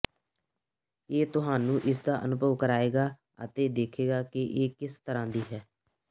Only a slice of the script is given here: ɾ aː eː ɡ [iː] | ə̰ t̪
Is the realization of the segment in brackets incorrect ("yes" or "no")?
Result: yes